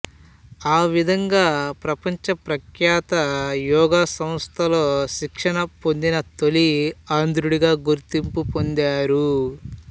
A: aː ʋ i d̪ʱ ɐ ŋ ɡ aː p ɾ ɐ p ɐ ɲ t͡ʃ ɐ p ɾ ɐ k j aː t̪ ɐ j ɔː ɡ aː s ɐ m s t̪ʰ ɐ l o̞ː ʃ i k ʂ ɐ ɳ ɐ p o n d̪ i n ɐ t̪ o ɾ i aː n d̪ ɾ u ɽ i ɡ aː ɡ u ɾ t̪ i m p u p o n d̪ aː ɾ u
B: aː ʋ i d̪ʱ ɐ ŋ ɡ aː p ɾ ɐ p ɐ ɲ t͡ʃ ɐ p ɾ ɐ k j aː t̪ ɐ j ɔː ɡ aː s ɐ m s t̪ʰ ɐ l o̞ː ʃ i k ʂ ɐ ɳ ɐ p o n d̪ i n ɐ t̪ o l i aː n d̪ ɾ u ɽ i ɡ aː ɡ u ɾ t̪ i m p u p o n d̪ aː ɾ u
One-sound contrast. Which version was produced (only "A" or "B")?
B